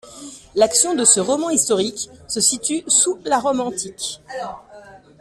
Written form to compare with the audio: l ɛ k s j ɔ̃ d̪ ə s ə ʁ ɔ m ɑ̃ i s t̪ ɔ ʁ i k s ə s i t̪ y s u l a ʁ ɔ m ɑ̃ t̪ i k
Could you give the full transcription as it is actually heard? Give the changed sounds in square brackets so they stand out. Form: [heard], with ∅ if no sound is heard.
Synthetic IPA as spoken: l [a] k s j ɔ̃ d̪ ə s ə ʁ ɔ m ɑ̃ i s t̪ ɔ ʁ i k s ə s i t̪ y s u l a ʁ ɔ m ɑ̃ t̪ i k